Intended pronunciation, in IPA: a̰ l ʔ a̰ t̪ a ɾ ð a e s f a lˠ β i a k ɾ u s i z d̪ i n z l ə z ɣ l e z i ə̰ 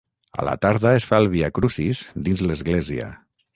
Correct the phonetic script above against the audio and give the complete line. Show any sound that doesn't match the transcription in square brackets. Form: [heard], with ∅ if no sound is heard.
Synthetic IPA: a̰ l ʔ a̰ t̪ a ɾ ð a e s f a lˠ β i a k ɾ u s i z d̪ i n z l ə z ɣ l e z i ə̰